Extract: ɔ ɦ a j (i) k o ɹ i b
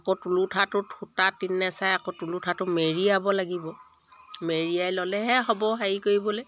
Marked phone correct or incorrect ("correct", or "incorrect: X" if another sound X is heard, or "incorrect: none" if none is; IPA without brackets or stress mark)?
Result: correct